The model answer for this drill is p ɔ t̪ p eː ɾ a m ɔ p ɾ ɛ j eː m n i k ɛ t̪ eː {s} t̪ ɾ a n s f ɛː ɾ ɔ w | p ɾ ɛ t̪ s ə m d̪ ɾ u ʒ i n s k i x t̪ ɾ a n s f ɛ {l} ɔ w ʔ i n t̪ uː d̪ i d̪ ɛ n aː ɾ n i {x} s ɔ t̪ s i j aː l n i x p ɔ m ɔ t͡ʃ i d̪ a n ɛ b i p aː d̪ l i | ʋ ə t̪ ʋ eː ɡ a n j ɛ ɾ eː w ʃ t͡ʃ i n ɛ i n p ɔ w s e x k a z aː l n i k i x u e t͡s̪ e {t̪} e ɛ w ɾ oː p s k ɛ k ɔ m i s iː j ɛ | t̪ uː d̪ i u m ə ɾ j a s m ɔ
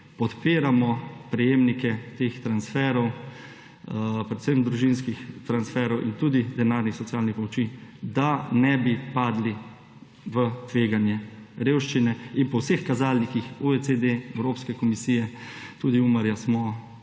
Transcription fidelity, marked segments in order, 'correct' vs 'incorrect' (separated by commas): incorrect, incorrect, correct, incorrect